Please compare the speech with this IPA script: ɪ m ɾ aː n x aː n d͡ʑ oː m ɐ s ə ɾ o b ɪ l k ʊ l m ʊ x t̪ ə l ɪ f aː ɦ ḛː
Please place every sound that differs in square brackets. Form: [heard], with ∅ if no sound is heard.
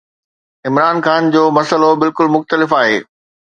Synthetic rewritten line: ɪ m ɾ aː n x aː n d͡ʑ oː m ɐ s ə [l] o b ɪ l k ʊ l m ʊ x t̪ ə l ɪ f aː ɦ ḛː